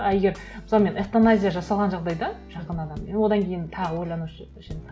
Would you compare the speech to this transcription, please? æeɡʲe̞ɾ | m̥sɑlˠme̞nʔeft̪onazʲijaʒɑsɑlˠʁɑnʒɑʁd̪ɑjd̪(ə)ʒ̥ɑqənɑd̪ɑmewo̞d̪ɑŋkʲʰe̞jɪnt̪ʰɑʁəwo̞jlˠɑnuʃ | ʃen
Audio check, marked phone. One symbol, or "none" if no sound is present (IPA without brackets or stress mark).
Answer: ɑ